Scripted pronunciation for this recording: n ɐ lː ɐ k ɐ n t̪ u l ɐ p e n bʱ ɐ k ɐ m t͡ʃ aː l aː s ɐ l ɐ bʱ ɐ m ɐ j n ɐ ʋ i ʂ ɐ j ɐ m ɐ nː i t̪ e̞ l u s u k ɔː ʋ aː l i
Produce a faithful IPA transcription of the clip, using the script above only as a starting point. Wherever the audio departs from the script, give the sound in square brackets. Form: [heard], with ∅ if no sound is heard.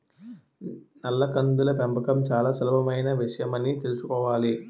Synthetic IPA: n ɐ lː ɐ k ɐ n [d̪] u l ɐ p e [m] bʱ ɐ k ɐ m t͡ʃ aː l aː s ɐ l ɐ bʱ ɐ m ɐ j n ɐ ʋ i ʂ ɐ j ɐ m ɐ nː i t̪ e̞ l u s u k ɔː ʋ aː l i